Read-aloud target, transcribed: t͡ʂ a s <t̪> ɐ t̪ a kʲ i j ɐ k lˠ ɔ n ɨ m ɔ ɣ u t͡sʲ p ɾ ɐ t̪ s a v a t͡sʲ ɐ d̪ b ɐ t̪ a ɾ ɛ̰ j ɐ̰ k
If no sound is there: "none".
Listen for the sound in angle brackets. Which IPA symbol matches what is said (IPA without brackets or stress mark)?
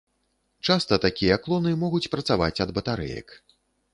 t̪